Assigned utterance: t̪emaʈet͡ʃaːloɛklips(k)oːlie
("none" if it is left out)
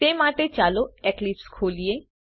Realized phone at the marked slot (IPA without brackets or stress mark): kʰ